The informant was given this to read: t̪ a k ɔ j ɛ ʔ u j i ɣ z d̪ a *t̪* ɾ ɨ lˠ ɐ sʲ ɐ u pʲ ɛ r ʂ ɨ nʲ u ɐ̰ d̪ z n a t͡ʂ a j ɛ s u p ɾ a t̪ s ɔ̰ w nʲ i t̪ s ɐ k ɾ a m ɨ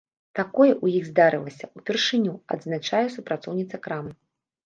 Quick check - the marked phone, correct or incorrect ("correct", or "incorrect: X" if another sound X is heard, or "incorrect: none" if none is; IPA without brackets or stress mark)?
incorrect: none